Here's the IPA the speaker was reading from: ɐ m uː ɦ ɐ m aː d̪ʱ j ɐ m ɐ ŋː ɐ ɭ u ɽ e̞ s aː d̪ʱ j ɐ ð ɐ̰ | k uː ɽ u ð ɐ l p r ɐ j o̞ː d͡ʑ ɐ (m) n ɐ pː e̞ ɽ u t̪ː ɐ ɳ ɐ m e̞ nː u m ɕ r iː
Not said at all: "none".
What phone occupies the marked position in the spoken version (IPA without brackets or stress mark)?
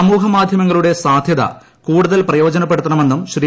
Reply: none